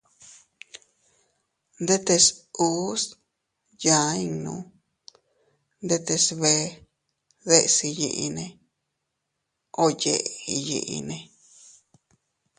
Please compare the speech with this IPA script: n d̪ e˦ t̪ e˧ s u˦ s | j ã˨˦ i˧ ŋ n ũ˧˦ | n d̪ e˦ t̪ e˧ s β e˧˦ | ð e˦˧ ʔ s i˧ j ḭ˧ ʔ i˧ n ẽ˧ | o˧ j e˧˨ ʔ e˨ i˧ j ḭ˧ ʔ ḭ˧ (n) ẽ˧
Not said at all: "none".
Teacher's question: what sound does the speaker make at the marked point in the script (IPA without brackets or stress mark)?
n